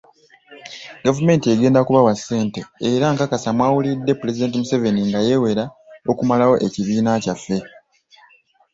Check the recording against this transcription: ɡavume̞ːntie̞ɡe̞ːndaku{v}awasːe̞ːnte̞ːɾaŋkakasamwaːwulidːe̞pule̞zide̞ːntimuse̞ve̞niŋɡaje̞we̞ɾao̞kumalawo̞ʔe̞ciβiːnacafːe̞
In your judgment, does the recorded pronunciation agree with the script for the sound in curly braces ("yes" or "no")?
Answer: no